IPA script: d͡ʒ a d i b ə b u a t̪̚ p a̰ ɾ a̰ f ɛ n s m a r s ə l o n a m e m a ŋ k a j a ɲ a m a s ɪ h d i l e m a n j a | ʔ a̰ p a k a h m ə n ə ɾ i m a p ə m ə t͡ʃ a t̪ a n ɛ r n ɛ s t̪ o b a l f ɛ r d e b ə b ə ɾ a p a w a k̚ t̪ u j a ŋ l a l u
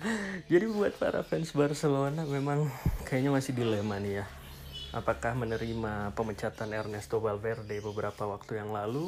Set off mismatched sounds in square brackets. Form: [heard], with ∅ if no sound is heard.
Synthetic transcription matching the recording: d͡ʒ a d i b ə b u a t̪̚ p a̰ ɾ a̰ f ɛ n s [b] a r s ə l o n a m e m a ŋ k a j a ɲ a m a s ɪ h d i l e m a n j a | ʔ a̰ p a k a h m ə n ə ɾ i m a p ə m ə t͡ʃ a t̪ a n ɛ r n ɛ s t̪ o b a l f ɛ r d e b ə b ə ɾ a p a w a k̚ t̪ u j a ŋ l a l u